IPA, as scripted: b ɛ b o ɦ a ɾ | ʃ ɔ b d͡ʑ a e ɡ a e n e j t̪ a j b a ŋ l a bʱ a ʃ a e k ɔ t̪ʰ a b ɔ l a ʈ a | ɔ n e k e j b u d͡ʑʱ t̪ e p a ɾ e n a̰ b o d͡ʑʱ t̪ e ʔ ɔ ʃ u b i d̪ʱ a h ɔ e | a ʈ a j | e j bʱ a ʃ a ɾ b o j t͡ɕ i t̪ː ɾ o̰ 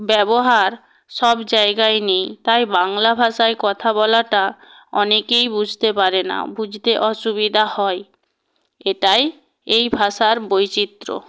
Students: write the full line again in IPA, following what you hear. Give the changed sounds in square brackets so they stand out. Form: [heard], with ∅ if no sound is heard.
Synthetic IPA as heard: b ɛ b o ɦ a ɾ | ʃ ɔ b d͡ʑ a e ɡ a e n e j t̪ a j b a ŋ l a bʱ a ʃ a e k ɔ t̪ʰ a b ɔ l a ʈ a | ɔ n e k e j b u d͡ʑʱ t̪ e p a ɾ e n a̰ b [u] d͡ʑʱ t̪ e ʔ ɔ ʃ u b i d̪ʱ a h ɔ e | [e] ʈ a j | e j bʱ a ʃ a ɾ b o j t͡ɕ i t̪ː ɾ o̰